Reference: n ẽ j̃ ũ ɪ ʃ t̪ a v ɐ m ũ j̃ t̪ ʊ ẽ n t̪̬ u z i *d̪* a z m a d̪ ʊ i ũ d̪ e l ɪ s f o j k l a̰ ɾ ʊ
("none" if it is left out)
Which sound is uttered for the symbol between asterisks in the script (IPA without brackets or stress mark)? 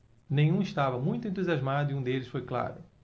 none